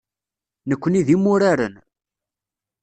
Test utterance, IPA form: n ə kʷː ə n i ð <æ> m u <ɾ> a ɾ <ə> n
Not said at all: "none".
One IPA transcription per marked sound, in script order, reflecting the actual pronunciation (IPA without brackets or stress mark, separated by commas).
i, ɾ, ə